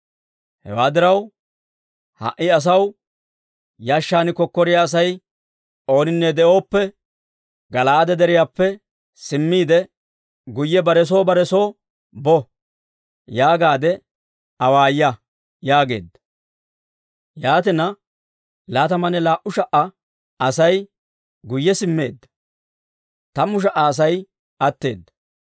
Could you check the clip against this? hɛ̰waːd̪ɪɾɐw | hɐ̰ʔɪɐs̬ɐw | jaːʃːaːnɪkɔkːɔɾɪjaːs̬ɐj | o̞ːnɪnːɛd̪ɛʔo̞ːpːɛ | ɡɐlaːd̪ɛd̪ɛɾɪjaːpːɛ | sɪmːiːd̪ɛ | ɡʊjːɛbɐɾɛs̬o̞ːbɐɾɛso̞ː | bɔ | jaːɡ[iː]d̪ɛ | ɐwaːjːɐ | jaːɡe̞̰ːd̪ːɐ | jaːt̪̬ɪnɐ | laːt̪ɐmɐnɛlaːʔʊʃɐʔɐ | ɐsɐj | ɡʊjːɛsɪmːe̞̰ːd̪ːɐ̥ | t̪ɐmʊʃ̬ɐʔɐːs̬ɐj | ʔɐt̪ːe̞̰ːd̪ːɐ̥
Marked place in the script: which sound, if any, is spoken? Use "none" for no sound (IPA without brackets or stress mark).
aː